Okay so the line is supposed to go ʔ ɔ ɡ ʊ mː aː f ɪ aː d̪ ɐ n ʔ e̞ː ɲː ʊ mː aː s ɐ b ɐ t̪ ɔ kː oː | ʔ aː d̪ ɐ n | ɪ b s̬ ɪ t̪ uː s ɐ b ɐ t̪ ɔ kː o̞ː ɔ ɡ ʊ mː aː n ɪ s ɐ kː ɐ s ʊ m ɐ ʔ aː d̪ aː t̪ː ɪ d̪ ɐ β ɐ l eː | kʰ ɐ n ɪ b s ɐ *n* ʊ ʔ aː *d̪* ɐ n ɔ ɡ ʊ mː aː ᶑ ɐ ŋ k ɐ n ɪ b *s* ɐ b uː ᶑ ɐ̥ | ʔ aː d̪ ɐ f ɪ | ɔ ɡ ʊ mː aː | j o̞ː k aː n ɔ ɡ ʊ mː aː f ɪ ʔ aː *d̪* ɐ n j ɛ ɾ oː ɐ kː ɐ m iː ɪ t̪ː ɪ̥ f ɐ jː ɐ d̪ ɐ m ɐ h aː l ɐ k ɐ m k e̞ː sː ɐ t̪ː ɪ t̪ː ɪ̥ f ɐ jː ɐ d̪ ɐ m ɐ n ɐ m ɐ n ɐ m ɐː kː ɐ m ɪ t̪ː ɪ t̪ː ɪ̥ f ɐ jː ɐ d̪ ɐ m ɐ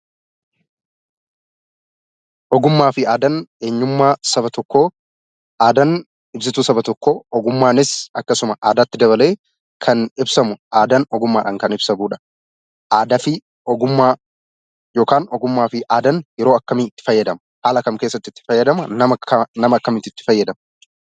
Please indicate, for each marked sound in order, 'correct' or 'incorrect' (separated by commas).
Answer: incorrect, correct, correct, correct